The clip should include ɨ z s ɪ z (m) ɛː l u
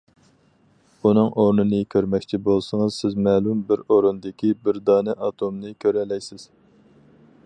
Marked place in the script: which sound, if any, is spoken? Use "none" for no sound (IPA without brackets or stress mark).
m